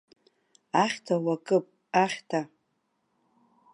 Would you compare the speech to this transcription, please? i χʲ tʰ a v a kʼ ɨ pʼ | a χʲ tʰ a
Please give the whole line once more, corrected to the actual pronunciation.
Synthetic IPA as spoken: a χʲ tʰ a w a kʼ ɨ pʼ | a χʲ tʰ a

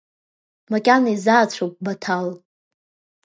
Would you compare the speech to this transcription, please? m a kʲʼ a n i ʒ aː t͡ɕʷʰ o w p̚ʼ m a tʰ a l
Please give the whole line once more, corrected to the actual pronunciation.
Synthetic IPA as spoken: m a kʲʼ a n i z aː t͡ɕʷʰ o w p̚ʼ b a tʰ a l

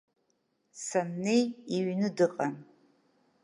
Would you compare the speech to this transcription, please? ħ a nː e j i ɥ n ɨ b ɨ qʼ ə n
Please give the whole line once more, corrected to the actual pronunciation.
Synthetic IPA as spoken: s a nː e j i ɥ n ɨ d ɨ qʼ a n

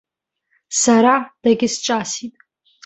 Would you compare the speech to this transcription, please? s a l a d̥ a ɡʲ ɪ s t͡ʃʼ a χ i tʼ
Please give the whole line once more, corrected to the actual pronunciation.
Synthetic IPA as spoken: s a ɾ a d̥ a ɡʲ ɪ s t͡ʃʼ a s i tʼ

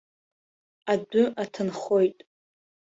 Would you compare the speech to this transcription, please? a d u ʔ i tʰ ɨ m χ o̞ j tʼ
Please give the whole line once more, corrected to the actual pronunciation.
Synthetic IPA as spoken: a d ʊ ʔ a tʰ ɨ n χ o̞ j tʼ

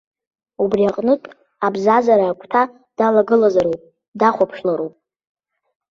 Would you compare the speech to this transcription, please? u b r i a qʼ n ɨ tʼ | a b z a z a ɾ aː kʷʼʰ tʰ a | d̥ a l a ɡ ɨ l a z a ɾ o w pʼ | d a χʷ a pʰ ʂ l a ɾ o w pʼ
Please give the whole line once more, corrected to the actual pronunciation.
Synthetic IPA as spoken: u b r i a qʼ n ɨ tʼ | a b z a z a ɾ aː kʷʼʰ tʰ a | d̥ a l a ɡ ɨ l a z a ɾ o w pʼ | d a χʷ a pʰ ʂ l a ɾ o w pʼ

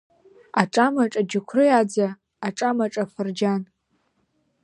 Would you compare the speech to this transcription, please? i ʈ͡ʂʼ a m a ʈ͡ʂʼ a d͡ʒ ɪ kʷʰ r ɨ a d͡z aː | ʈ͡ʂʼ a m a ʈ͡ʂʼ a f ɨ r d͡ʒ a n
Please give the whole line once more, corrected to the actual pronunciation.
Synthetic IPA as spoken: a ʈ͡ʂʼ a m a ʈ͡ʂʼ a d͡ʒ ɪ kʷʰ r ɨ a d͡z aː | ʈ͡ʂʼ a m a ʈ͡ʂʼ a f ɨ r d͡ʒ a n

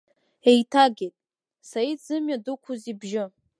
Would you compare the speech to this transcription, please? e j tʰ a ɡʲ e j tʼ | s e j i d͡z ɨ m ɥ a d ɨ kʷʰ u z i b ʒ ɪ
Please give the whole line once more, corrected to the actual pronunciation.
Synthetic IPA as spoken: e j tʰ a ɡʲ e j tʼ | s a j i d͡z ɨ m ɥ a d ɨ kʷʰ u z i b ʒ ɪ

